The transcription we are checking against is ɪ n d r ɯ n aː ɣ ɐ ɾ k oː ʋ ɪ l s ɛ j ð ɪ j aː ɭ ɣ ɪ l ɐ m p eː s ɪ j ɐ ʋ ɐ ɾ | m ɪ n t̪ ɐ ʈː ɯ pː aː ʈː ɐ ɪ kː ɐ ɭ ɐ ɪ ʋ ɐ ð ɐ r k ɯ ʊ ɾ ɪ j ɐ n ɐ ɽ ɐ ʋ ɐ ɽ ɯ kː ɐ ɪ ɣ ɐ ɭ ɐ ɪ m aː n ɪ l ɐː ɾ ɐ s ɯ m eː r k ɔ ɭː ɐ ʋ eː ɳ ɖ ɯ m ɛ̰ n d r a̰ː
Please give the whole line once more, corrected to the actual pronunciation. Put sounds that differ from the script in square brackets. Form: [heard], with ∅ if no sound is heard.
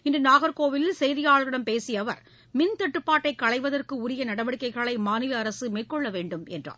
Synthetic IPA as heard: ɪ n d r ɯ n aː ɣ ɐ ɾ k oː ʋ ɪ l s ɛ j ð ɪ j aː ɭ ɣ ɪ [ɽ] ɐ m p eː s ɪ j ɐ ʋ ɐ ɾ | m ɪ n t̪ ɐ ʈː ɯ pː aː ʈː ɐ ɪ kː ɐ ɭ ɐ ɪ ʋ ɐ ð ɐ r k ɯ ʊ ɾ ɪ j ɐ n ɐ ɽ ɐ ʋ ɐ ɽ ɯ kː ɐ ɪ ɣ ɐ ɭ ɐ ɪ m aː n ɪ l ɐː ɾ ɐ s ɯ m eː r k ɔ ɭː ɐ ʋ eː ɳ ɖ ɯ m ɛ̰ n d r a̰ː